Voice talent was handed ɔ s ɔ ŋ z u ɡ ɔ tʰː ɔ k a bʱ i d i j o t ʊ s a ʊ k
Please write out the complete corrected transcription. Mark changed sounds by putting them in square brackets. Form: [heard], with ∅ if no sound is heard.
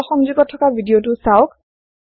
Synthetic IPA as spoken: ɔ [x] ɔ ŋ z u ɡ ɔ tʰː ɔ k a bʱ i d i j o t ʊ s a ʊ k